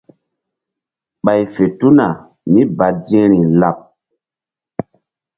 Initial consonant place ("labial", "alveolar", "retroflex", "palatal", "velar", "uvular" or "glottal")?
labial